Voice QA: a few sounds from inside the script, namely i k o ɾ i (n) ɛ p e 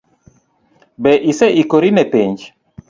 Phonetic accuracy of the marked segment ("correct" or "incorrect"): correct